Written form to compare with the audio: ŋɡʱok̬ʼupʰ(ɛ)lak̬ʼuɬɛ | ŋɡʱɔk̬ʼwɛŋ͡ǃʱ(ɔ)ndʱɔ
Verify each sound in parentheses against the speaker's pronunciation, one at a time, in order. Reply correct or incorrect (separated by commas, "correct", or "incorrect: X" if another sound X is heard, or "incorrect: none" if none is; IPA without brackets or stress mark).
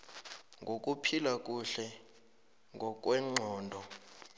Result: incorrect: i, incorrect: ɔː